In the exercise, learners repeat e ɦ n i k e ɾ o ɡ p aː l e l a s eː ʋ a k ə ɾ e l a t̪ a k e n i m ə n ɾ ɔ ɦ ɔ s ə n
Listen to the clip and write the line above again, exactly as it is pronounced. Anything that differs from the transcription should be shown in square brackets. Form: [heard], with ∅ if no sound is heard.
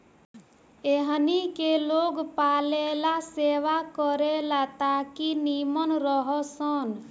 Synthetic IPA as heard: e ɦ n i k e [l] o ɡ p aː l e l a s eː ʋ a k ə ɾ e l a t̪ a k [i] n i m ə n ɾ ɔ ɦ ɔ s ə n

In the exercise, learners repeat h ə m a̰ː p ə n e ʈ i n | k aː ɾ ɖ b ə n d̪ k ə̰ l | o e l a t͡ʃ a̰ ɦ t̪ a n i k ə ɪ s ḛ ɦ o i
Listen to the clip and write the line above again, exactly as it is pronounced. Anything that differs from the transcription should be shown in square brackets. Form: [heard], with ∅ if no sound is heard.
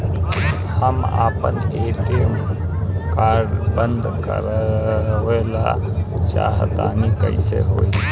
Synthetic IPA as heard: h ə m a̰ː p ə n e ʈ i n | k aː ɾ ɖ b ə n d̪ k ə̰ [ɾ] | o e l a t͡ʃ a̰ ɦ t̪ a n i k ə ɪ s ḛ ɦ o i

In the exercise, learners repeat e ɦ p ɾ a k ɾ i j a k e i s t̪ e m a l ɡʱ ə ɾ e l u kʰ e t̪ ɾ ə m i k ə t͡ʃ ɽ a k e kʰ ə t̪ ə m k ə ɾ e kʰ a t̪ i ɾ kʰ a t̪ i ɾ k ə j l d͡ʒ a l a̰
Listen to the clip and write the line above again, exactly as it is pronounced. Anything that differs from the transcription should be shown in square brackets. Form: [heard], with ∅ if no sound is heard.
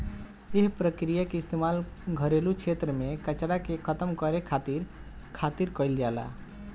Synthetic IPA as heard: e ɦ p ɾ [ə] k ɾ i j a k e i s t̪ e m a l ɡʱ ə ɾ e l u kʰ e t̪ ɾ ə m [e] k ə t͡ʃ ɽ a k e kʰ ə t̪ ə m k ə ɾ e kʰ a t̪ i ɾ kʰ a t̪ i ɾ k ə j l d͡ʒ a l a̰

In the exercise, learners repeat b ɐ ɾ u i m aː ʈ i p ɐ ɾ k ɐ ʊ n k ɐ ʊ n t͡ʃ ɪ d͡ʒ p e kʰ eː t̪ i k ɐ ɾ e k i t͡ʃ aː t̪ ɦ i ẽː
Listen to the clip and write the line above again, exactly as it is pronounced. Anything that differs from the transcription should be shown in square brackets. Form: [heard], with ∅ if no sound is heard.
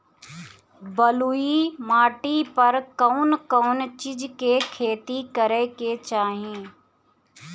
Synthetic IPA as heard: b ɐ [l] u i m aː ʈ i p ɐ ɾ k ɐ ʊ n k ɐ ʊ n t͡ʃ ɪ d͡ʒ [k] e kʰ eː t̪ i k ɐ ɾ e k [e] t͡ʃ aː [∅] ɦ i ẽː

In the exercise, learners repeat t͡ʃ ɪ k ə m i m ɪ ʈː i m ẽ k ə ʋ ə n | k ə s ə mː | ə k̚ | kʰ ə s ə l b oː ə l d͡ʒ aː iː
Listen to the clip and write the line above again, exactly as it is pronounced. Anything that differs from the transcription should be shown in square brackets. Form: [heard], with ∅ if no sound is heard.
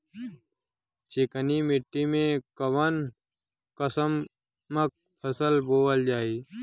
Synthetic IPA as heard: t͡ʃ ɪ k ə [n] i m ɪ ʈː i m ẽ k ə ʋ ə n | k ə s ə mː | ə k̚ | [pʰ] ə s ə l b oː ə l d͡ʒ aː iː

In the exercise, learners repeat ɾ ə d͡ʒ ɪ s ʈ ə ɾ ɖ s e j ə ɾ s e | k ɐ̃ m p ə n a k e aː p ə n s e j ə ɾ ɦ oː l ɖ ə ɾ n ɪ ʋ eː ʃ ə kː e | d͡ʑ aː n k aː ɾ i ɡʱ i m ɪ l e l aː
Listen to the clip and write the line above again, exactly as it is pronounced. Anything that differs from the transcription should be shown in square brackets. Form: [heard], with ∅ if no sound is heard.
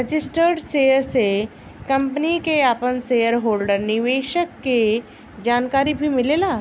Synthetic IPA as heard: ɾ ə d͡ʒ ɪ s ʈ ə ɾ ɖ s e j ə ɾ s e | k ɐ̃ m p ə n [i] k e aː p ə n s e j ə ɾ ɦ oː l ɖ ə ɾ n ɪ ʋ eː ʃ ə kː e | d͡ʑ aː n k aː ɾ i [bʱ] i m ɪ l e l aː

